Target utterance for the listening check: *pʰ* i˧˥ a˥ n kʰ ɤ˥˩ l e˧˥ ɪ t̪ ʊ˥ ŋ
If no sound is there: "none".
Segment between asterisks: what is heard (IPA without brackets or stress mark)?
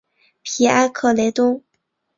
pʰ